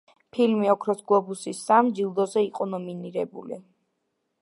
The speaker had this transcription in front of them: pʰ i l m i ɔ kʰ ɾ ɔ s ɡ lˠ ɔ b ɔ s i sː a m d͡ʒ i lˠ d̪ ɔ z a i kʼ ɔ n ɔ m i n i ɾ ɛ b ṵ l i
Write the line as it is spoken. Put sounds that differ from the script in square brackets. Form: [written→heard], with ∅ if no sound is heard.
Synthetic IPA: pʰ i l m i ɔ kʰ ɾ ɔ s ɡ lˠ ɔ b [ɔ→u] s i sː a m d͡ʒ i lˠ d̪ ɔ z [a→ɛ] i [kʼ→qʼ] ɔ n ɔ m i n i ɾ ɛ b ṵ l i

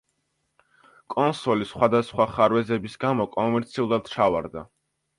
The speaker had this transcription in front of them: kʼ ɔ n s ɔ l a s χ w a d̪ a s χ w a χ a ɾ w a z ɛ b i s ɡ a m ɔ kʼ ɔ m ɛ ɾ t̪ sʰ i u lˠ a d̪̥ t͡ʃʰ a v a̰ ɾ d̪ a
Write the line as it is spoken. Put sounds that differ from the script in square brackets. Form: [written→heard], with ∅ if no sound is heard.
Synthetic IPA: kʼ ɔ n s ɔ l [a→i] s χ w a d̪ a s χ w a χ a ɾ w [a→ɛ] z ɛ b i s ɡ a m ɔ kʼ ɔ m ɛ ɾ t̪ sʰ i u lˠ a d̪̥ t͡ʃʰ a v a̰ ɾ d̪ a

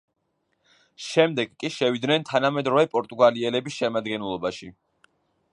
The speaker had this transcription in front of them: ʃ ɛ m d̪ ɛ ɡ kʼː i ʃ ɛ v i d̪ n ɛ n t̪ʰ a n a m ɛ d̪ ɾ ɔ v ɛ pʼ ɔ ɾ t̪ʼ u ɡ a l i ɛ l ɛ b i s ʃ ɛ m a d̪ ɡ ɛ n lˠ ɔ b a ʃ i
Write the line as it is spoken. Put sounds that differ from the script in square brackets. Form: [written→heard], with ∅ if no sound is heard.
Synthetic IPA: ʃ ɛ m d̪ ɛ ɡ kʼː i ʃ ɛ v i d̪ n ɛ n t̪ʰ a n a m ɛ d̪ ɾ ɔ v ɛ pʼ ɔ ɾ t̪ʼ u ɡ a l i ɛ l ɛ b i s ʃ ɛ m a d̪ ɡ ɛ n lˠ ɔ b a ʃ i

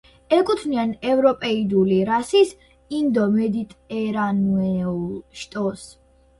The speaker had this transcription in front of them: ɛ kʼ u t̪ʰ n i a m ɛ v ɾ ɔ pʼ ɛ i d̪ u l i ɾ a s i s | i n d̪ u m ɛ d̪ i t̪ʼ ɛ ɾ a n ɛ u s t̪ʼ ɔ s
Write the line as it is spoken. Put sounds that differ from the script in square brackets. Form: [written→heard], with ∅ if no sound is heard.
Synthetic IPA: ɛ kʼ u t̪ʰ n i a [m→n] ɛ v ɾ ɔ pʼ ɛ i d̪ u l i ɾ a s i s | i n d̪ [u→ɔ] m ɛ d̪ i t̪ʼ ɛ ɾ a n ɛ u [s→ʃ] t̪ʼ ɔ s

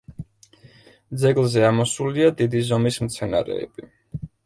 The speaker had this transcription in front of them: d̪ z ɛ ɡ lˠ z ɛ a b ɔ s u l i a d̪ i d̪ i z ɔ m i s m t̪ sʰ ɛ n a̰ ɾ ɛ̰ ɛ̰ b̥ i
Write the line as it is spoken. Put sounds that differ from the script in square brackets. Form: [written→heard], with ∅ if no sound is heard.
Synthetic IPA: d̪ z ɛ ɡ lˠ z ɛ a [b→m] ɔ s u l i a d̪ i d̪ i z ɔ m i s m t̪ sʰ ɛ n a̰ ɾ ɛ̰ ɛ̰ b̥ i

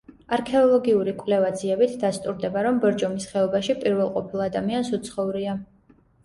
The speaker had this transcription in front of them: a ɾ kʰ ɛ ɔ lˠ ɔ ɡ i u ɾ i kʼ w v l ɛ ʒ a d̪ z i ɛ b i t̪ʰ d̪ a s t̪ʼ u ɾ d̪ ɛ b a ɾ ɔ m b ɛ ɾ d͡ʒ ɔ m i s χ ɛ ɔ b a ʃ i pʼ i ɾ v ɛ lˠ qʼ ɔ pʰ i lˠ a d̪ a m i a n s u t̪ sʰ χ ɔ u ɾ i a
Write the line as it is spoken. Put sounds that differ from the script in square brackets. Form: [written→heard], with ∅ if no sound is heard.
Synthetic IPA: a ɾ kʰ ɛ ɔ lˠ ɔ ɡ i u ɾ i kʼ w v l ɛ [ʒ→v] a d̪ z i ɛ b i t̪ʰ d̪ a s t̪ʼ u ɾ d̪ ɛ b a ɾ ɔ m b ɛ ɾ d͡ʒ ɔ m i s χ ɛ ɔ b a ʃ i pʼ i ɾ v ɛ lˠ qʼ ɔ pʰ i lˠ a d̪ a m i a n s u t̪ sʰ χ ɔ u ɾ i a

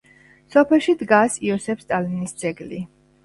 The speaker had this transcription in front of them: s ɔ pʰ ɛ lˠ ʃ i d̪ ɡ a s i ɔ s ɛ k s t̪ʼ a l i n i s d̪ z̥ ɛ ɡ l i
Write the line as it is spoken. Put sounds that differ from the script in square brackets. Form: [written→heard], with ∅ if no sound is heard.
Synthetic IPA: s ɔ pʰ ɛ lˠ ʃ i d̪ ɡ a s i ɔ s ɛ [k→p] s t̪ʼ a l i n i s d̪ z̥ ɛ ɡ l i

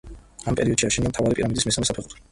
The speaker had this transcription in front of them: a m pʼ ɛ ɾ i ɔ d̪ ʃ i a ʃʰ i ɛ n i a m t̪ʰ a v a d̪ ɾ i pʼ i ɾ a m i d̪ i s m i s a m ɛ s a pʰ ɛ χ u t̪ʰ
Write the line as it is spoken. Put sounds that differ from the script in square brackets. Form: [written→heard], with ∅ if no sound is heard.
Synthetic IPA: a m pʼ ɛ ɾ i ɔ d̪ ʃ i a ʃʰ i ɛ n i a m t̪ʰ a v a [d̪→∅] ɾ i pʼ i ɾ a m i d̪ i s m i s a m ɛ s a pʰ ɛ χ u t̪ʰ

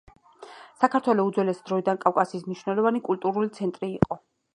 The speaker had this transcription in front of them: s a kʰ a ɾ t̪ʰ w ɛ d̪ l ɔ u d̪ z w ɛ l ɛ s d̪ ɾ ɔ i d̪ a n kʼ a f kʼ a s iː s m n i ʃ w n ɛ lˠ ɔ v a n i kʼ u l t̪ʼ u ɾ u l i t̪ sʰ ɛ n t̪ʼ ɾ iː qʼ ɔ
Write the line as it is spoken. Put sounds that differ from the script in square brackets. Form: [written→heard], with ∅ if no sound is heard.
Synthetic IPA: s a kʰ a ɾ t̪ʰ w ɛ [d̪→∅] l ɔ u d̪ z w ɛ l ɛ s d̪ ɾ ɔ i d̪ a n kʼ a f kʼ a s iː s m n i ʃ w n ɛ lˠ ɔ v a n i kʼ u l t̪ʼ u ɾ u l i t̪ sʰ ɛ n t̪ʼ ɾ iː qʼ ɔ

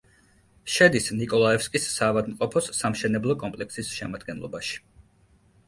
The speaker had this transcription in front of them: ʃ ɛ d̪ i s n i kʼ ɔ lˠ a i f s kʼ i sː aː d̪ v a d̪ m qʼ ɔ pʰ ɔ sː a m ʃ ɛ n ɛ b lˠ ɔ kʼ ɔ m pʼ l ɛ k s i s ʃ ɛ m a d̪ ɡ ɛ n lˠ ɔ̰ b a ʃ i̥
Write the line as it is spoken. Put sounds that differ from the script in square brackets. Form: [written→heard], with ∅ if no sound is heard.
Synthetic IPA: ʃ ɛ d̪ i s n i kʼ ɔ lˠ a [i→ɛ] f s kʼ i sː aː [d̪→∅] v a d̪ m qʼ ɔ pʰ ɔ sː a m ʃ ɛ n ɛ b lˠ ɔ kʼ ɔ m pʼ l ɛ k s i s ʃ ɛ m a d̪ ɡ ɛ n lˠ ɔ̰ b a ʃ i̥

